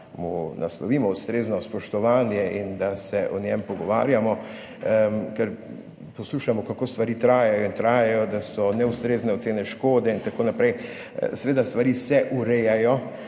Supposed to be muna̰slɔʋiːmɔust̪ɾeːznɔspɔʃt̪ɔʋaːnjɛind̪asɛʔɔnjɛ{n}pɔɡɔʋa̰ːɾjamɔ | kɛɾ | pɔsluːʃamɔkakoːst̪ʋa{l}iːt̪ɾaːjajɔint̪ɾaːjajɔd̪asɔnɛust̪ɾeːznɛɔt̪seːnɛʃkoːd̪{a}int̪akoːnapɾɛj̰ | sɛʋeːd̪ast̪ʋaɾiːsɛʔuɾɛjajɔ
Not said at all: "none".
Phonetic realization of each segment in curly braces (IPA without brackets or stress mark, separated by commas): m, ɾ, ɛ